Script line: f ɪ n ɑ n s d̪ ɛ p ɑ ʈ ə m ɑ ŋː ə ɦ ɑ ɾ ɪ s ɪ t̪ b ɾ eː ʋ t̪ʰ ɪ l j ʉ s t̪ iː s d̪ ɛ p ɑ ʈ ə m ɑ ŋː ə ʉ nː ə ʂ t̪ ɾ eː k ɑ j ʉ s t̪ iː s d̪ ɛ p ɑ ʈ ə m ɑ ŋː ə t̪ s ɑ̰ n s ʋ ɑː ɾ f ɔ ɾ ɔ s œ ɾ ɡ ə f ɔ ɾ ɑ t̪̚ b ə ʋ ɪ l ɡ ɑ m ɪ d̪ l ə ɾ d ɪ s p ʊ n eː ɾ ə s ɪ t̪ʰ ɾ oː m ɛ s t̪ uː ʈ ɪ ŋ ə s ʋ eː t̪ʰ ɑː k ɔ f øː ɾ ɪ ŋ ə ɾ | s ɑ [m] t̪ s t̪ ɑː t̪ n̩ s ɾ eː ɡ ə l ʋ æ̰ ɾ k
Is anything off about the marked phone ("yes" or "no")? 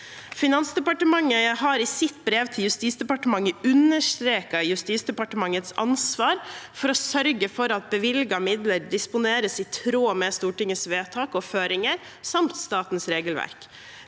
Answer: no